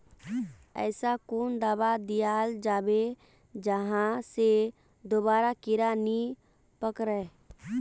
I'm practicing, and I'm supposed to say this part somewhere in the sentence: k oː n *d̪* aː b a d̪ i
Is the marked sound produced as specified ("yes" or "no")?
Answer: yes